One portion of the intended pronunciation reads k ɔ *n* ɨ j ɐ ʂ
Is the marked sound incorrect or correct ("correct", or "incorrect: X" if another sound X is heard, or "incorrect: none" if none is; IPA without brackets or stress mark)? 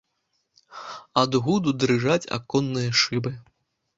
incorrect: nː